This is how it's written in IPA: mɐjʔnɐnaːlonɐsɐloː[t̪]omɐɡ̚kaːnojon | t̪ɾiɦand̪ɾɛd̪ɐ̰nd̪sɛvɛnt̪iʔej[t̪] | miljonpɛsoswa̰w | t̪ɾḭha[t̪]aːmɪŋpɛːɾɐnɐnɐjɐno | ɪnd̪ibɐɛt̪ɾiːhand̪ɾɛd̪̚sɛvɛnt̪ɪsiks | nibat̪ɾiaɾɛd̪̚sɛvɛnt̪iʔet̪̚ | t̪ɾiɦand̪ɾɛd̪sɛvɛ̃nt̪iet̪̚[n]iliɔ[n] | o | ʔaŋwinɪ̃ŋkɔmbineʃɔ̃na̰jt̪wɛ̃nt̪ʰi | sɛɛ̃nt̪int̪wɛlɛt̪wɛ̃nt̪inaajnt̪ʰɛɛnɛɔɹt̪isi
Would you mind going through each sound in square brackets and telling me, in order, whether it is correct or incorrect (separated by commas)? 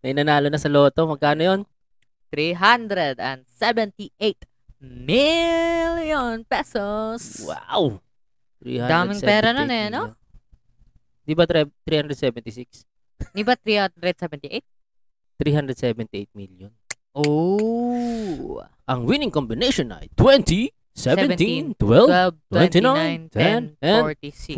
correct, correct, incorrect, incorrect, correct